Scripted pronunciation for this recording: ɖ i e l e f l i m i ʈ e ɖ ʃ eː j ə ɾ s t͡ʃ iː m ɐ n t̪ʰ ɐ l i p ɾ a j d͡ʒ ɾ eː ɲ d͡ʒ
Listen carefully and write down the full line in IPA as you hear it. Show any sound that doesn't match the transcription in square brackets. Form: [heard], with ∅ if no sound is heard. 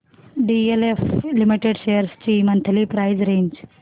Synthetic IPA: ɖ i e l e f l i m i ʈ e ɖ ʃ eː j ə ɾ s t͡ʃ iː m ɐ n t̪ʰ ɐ l i p ɾ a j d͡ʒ ɾ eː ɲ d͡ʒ